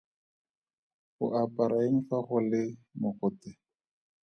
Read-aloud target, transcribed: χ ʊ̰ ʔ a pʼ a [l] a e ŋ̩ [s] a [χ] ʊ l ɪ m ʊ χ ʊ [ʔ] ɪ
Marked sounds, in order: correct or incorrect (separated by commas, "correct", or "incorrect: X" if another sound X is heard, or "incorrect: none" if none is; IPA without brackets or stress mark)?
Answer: incorrect: ɾ, incorrect: f, correct, incorrect: t